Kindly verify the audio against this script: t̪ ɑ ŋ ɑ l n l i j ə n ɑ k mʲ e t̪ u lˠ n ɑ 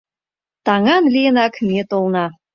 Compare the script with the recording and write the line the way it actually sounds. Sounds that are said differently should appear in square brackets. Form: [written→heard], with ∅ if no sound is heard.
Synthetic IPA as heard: t̪ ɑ ŋ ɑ [l→∅] n l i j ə n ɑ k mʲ e t̪ [u→o] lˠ n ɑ